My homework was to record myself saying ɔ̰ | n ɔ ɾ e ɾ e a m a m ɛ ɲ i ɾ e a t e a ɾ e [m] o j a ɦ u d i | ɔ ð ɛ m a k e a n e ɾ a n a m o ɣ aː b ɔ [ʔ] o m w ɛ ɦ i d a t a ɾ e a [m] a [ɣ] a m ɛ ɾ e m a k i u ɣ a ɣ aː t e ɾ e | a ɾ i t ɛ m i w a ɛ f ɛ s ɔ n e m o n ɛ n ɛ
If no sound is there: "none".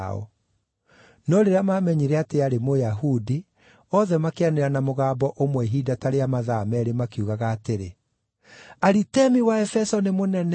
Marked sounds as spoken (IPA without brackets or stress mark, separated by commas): m, ʔ, m, ð